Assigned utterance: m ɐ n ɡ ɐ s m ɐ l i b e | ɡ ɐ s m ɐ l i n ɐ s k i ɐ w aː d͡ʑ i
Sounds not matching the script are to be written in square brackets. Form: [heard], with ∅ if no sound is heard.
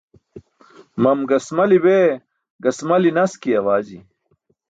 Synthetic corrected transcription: m ɐ [m] ɡ ɐ s m ɐ l i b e | ɡ ɐ s m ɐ l i n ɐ s k i ɐ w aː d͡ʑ i